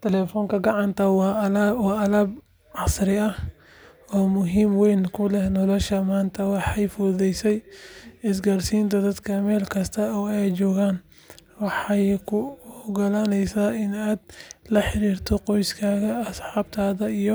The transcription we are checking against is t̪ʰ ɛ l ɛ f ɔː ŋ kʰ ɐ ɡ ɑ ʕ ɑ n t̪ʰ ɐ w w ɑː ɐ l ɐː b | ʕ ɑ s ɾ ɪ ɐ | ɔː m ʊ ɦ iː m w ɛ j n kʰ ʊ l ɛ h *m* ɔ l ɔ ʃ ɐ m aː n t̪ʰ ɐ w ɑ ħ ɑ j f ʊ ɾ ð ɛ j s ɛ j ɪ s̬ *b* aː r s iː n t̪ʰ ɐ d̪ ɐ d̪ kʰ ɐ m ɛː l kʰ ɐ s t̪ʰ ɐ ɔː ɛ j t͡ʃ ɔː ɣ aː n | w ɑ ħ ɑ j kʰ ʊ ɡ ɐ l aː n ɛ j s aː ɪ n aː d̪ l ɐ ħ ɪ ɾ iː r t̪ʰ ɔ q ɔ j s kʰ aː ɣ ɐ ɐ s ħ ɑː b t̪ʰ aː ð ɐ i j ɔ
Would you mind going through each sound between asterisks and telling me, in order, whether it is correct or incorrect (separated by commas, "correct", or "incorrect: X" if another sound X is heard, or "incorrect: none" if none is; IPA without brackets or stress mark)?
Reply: incorrect: n, incorrect: ɡ